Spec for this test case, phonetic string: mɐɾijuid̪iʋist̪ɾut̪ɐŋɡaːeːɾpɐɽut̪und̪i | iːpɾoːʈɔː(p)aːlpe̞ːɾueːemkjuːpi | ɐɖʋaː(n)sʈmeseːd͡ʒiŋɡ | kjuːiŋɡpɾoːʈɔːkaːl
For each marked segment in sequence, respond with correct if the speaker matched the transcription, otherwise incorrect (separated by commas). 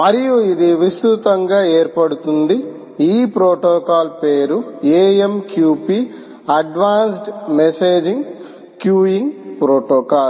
incorrect, correct